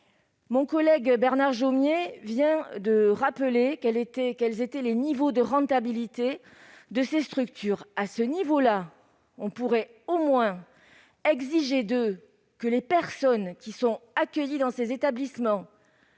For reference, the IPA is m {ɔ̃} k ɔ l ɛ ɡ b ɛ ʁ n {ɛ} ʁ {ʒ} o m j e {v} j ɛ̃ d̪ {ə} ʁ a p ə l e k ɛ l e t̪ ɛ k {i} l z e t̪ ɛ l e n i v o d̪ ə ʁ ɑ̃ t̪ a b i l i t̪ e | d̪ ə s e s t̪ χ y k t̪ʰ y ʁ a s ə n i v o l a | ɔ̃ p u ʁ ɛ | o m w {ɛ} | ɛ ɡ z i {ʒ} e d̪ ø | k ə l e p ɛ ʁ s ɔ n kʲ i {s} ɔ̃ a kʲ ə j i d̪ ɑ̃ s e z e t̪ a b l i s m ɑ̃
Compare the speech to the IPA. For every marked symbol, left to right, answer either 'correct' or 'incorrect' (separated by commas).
correct, incorrect, correct, correct, correct, incorrect, incorrect, correct, correct